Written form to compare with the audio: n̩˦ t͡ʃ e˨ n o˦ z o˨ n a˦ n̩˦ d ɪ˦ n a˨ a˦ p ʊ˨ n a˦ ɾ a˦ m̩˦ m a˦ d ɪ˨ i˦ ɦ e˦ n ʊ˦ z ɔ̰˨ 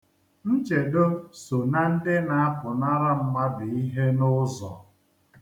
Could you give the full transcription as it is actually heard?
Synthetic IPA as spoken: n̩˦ t͡ʃ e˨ d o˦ s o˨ n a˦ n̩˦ d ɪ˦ n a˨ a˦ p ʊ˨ n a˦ ɾ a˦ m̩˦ m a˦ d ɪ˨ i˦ ɦ e˦ n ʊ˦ z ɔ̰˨